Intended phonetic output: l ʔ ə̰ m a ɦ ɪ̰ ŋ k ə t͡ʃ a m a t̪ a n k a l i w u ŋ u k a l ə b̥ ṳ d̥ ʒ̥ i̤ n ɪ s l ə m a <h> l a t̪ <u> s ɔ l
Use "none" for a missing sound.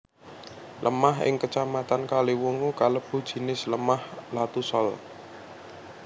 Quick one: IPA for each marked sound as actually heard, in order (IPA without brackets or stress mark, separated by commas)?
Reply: h, u